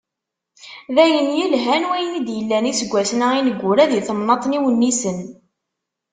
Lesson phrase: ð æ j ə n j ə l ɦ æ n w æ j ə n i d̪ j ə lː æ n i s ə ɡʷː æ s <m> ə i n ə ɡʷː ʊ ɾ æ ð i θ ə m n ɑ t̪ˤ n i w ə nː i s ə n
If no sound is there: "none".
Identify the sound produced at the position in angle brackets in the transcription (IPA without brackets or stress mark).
n